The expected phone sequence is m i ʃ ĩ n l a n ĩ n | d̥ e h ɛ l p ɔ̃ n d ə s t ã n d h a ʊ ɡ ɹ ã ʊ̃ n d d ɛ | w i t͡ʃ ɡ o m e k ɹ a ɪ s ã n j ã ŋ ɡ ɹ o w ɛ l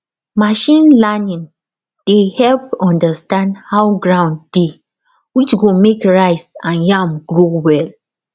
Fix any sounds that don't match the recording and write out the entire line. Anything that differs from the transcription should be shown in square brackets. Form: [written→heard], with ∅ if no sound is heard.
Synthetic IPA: m [i→a] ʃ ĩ n l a n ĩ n | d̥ e h ɛ l p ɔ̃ n d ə s t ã n d h a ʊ ɡ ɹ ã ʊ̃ n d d [ɛ→e] | w i t͡ʃ ɡ o m e k ɹ a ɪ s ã n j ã [ŋ→m] ɡ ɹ o w ɛ l